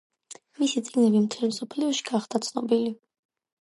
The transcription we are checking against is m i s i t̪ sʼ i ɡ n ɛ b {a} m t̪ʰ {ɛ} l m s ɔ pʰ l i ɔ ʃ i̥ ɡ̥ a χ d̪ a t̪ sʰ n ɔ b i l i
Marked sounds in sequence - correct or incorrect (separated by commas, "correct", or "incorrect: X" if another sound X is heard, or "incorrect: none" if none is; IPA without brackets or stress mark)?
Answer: incorrect: i, correct